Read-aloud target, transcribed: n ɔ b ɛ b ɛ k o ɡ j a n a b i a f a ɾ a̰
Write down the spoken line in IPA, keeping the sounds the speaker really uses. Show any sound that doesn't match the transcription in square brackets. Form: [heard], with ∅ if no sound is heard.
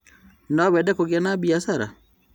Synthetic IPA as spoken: n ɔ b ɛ [d] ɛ k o ɡ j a n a b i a [s] a ɾ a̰